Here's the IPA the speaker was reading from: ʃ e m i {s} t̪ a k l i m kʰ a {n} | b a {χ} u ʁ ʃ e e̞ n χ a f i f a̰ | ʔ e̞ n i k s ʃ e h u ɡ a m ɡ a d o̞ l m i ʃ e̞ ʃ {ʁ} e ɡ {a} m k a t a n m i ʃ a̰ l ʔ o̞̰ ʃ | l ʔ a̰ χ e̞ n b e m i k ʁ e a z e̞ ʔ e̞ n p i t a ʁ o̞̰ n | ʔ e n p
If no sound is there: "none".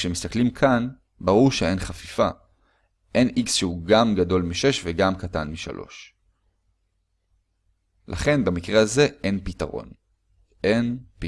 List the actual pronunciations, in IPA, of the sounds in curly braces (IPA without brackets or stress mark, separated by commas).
s, n, ʁ, v, a